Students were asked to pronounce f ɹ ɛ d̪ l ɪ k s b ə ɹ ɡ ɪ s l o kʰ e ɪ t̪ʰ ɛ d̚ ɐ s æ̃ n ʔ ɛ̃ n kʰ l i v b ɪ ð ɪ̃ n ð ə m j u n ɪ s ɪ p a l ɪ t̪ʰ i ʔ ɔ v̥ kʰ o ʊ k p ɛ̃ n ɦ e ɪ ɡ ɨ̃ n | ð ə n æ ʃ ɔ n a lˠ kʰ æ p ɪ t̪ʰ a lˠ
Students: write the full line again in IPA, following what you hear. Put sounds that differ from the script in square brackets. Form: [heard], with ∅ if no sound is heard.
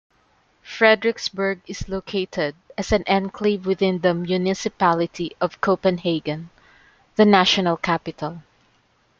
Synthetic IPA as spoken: f ɹ ɛ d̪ [ɹ] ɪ k s b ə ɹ ɡ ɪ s l o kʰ e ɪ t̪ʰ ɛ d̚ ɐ s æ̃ n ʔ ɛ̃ n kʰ l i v [w] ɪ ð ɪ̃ n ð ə m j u n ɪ s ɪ p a l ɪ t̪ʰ i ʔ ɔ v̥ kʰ o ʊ [∅] p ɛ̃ n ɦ e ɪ ɡ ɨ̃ n | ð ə n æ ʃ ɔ n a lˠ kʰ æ p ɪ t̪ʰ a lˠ